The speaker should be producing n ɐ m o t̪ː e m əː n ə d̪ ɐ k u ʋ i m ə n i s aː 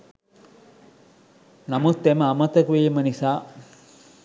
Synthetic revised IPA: n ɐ m u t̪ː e m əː m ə t̪ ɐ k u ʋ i m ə n i s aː